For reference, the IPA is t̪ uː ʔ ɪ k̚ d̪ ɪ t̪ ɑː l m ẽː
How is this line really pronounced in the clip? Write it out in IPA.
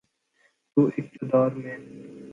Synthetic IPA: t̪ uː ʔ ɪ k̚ t̪ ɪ d̪ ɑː ɾ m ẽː